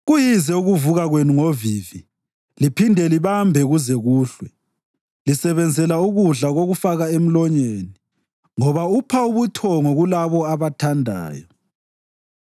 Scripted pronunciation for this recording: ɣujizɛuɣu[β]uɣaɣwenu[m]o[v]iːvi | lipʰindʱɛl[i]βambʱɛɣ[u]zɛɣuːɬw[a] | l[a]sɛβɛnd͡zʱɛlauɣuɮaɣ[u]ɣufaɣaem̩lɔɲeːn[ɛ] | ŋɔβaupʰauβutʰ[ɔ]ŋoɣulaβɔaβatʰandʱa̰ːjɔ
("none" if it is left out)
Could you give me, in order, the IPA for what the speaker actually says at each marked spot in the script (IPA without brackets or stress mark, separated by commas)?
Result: v, ŋ, v, i, u, ɛ, i, o, i, ɔ